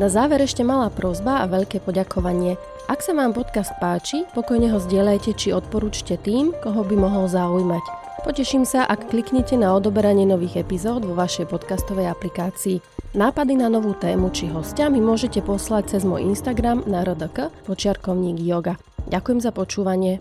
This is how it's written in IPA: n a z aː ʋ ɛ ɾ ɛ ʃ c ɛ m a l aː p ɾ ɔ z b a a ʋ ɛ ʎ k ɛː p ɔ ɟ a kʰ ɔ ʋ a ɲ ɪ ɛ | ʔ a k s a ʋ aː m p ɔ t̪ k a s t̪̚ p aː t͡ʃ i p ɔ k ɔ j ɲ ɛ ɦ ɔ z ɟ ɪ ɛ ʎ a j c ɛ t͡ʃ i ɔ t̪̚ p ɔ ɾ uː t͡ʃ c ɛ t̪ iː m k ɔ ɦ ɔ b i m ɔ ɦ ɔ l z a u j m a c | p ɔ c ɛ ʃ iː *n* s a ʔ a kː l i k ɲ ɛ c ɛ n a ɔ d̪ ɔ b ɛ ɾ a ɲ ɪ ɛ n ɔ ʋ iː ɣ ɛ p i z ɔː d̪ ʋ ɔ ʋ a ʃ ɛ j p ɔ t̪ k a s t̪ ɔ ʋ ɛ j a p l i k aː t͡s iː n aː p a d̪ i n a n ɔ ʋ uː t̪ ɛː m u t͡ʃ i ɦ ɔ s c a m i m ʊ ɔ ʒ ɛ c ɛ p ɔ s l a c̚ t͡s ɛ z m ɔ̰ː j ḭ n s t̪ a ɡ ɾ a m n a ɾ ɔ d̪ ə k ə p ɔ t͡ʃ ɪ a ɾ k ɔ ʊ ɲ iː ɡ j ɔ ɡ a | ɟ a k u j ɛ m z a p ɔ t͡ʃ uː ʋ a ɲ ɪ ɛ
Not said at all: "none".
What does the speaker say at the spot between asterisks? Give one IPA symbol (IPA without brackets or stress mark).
m